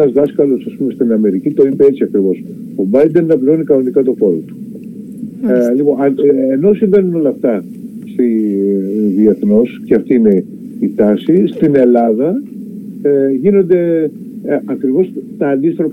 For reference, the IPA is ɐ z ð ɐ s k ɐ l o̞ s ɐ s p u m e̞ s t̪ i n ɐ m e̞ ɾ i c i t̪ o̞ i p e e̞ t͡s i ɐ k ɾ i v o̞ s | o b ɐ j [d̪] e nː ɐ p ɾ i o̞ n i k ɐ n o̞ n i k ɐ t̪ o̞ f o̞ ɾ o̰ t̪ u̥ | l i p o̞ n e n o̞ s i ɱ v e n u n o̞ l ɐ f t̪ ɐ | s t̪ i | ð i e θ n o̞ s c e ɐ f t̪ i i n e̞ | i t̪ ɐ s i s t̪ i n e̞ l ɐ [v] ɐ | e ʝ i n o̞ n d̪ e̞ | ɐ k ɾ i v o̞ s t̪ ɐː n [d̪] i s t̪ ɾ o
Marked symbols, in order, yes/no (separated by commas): yes, no, yes